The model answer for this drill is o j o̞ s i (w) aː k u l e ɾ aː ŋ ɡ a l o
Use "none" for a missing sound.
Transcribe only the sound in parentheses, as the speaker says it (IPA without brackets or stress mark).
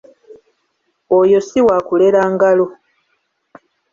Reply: w